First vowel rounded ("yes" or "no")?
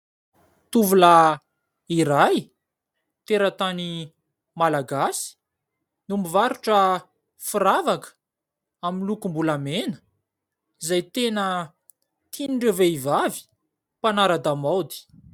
yes